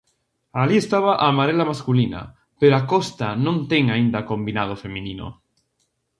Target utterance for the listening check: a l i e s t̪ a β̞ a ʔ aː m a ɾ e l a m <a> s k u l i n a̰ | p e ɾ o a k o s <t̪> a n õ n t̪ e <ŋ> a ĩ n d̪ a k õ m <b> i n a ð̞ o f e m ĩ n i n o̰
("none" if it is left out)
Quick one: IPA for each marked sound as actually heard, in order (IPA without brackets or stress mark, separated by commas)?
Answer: a, t̪, ŋ, b